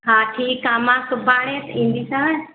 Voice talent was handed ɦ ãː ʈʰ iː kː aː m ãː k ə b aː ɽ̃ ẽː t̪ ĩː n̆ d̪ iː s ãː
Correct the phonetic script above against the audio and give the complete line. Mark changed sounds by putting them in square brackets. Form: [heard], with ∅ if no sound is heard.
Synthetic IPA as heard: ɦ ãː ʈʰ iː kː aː m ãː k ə b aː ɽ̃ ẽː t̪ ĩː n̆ d̪ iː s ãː